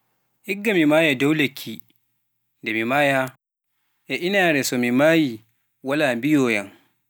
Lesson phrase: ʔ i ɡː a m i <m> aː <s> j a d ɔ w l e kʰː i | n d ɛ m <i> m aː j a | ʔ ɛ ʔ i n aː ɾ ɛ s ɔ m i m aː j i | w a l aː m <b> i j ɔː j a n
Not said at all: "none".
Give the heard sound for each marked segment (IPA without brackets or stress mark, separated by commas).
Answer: m, none, i, b